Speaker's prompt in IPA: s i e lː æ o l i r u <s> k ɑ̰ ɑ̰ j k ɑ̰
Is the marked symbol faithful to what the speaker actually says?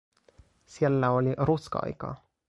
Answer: yes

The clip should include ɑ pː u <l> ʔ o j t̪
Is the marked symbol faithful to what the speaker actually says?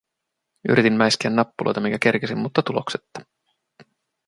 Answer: yes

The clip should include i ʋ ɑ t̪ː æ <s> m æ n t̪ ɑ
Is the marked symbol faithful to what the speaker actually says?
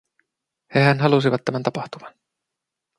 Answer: no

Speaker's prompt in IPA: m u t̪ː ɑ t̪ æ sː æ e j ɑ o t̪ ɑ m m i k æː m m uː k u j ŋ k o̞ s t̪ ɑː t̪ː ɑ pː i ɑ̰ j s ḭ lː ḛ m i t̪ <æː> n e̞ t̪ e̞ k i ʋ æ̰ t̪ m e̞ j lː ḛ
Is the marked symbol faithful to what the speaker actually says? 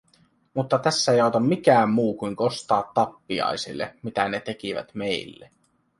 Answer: no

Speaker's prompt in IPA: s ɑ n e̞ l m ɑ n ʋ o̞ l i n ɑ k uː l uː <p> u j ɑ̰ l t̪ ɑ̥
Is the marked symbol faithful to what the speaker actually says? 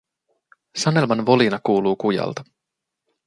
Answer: no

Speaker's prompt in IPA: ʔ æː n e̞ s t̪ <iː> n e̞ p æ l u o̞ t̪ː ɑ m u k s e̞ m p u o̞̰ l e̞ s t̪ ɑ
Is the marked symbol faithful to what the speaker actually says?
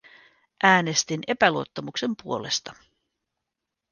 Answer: no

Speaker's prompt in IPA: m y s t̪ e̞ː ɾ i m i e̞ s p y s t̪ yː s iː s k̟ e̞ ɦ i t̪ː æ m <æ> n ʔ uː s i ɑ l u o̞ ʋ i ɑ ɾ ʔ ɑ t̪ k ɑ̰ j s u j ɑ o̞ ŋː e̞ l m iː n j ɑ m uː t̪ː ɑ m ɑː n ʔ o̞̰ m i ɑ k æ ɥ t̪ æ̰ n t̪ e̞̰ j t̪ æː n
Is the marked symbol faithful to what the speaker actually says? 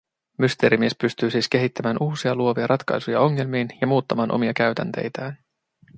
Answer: no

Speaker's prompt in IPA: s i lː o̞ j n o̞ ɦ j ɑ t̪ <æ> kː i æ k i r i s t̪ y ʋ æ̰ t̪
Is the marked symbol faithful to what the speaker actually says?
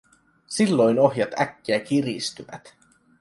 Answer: yes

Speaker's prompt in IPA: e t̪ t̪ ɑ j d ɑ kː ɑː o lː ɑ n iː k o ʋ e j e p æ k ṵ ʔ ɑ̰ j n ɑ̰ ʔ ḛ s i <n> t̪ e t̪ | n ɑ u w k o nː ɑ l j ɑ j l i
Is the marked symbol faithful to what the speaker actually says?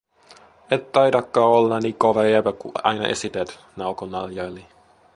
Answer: no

